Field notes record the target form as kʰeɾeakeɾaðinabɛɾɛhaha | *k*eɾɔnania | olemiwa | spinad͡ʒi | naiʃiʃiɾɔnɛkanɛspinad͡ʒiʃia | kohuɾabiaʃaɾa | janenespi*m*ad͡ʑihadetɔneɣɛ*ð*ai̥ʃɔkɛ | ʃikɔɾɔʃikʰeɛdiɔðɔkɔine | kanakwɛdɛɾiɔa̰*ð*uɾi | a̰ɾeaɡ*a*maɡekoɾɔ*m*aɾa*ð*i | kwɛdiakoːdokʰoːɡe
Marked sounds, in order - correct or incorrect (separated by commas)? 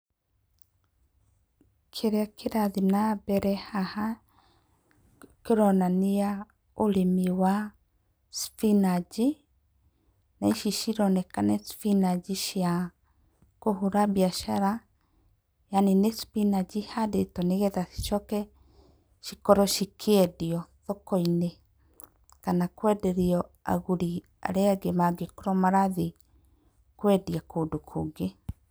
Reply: correct, incorrect, correct, incorrect, incorrect, correct, correct